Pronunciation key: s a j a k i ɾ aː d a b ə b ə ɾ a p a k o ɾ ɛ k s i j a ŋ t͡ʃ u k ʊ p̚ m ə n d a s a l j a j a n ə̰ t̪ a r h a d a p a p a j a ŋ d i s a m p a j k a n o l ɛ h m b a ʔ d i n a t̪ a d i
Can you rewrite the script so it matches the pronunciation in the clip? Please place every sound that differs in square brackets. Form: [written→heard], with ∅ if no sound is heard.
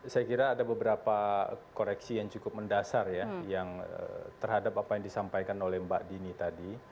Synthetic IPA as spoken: s a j a k i ɾ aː d a b ə b ə ɾ a p a k o ɾ ɛ k s i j a ŋ t͡ʃ u k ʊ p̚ m ə n d a s a [l→r] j a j a [n→ŋ] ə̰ t̪ [a→ə] r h a d a p a p a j a ŋ d i s a m p a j k a n o l ɛ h m b a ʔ d i n [a→i] t̪ a d i